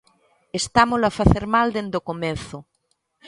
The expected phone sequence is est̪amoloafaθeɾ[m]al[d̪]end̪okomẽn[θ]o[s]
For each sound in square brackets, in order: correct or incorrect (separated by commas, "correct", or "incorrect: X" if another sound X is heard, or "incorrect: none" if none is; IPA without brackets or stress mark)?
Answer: correct, correct, correct, incorrect: none